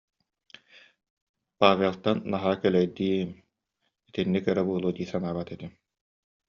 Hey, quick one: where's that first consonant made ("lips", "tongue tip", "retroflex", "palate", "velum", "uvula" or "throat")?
lips